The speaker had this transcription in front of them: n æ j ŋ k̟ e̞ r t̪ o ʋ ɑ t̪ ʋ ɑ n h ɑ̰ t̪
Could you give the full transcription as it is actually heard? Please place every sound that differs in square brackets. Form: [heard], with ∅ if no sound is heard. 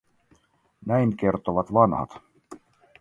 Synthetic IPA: n æ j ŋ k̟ e̞ r t̪ o ʋ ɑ t̪ ʋ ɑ n h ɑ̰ t̪